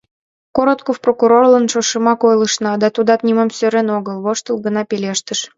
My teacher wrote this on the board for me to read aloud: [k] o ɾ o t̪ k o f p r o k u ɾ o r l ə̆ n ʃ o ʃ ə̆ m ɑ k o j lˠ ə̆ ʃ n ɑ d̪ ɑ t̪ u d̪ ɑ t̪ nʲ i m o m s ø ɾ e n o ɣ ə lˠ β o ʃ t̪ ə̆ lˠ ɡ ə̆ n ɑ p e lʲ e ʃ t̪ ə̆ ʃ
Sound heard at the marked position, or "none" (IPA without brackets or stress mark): k